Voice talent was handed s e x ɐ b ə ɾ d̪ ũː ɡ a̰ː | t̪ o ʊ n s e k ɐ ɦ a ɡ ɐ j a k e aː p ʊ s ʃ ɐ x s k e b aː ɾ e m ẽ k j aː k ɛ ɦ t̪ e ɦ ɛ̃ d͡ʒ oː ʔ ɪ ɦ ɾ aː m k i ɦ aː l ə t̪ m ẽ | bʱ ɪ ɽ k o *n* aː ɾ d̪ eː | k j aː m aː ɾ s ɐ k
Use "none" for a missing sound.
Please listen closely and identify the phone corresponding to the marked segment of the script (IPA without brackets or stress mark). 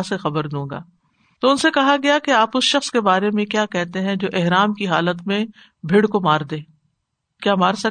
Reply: m